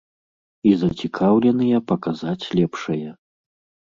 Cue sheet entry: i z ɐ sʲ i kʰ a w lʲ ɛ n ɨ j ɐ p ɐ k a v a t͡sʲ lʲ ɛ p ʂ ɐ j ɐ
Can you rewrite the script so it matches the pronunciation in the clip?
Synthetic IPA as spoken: i z ɐ t͡sʲ i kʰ a w lʲ ɛ n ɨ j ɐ p ɐ k a z a t͡sʲ lʲ ɛ p ʂ ɐ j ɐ